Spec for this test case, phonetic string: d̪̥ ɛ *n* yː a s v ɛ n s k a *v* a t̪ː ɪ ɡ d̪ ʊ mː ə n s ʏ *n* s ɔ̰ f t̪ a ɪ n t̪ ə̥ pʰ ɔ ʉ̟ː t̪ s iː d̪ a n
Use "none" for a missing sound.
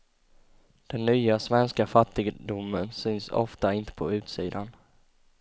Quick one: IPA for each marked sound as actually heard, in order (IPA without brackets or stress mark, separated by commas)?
nː, f, n